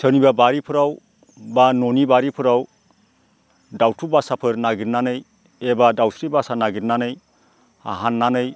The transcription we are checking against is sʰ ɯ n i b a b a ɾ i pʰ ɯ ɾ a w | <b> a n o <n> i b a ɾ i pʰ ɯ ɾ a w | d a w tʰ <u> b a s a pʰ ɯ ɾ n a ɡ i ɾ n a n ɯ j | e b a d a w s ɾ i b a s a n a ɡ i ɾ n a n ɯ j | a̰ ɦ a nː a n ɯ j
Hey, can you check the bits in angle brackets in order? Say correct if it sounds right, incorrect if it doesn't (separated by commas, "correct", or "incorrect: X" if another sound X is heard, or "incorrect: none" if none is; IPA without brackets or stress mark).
correct, correct, correct